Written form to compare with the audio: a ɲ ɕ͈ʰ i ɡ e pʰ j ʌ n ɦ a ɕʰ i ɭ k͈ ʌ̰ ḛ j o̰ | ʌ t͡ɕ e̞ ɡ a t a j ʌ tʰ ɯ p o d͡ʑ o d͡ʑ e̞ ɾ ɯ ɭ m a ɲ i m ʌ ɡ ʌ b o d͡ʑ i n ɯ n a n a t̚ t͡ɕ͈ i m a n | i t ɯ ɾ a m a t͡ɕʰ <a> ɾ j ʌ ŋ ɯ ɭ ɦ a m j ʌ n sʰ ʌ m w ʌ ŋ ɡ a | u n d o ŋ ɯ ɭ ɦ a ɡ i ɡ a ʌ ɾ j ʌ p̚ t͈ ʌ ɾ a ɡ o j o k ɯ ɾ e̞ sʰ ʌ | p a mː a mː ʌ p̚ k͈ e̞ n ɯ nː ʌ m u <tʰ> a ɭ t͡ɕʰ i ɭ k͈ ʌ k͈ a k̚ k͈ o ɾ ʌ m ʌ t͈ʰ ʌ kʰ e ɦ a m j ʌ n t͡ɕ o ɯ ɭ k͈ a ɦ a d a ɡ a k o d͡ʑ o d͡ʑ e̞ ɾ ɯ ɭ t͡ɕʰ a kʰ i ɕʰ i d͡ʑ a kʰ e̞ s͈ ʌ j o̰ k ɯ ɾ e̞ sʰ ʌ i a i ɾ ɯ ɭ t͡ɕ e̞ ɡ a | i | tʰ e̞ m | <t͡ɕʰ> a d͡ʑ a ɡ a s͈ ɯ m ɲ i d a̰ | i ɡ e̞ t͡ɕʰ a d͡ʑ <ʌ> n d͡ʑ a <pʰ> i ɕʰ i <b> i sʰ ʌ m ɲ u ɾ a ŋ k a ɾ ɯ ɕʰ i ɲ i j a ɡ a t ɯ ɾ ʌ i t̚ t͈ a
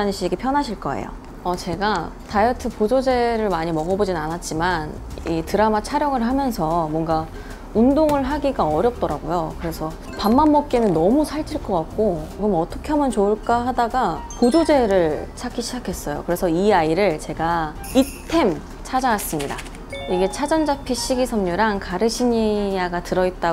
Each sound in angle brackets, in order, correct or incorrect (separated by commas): correct, incorrect, correct, correct, correct, incorrect